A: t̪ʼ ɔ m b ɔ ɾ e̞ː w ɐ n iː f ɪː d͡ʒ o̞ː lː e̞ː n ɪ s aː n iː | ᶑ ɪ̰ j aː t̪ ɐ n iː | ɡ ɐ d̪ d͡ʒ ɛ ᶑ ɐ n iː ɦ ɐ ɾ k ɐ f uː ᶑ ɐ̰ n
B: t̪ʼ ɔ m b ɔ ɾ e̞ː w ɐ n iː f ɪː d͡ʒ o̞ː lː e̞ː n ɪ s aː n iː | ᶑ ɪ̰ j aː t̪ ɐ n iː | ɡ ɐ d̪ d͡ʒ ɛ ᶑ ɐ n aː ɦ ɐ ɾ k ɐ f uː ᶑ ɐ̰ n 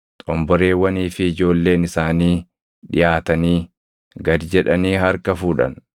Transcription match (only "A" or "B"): A